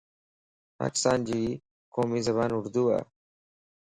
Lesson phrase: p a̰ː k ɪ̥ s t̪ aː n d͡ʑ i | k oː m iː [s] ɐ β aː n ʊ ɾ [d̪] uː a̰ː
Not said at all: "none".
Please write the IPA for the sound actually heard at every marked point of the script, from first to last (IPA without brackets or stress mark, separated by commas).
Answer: z, d̪